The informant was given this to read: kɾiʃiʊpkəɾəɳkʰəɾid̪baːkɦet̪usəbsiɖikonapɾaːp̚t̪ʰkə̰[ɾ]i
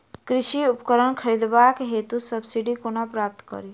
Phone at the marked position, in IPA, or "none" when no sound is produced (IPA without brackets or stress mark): ɾ